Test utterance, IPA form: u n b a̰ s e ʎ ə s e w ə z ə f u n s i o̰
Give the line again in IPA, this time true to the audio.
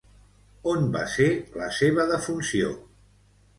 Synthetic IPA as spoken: o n b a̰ s e l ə s e β ə ð ə f u n s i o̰